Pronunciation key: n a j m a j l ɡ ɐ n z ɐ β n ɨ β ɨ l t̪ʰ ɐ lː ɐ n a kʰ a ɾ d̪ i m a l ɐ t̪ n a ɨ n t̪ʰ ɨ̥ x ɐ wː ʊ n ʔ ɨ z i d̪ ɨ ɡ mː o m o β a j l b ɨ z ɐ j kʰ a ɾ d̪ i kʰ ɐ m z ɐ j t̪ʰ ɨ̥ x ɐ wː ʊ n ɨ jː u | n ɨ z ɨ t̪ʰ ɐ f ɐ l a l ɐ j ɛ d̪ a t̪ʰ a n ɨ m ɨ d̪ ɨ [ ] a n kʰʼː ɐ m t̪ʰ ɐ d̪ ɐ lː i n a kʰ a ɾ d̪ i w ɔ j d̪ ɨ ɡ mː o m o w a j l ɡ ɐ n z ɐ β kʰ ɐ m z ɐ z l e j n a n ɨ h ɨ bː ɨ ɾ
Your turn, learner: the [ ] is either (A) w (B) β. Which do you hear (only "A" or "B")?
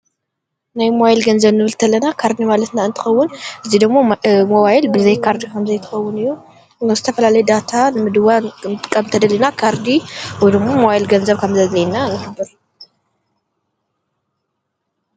A